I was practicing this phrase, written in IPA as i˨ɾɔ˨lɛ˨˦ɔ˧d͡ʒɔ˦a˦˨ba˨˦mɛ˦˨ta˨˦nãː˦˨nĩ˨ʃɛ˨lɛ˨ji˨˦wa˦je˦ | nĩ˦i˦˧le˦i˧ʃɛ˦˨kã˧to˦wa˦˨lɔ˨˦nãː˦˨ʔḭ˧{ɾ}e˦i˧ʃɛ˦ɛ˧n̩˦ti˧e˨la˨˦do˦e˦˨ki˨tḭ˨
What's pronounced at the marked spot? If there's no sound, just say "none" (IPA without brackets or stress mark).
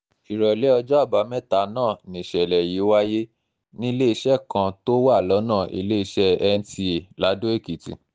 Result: l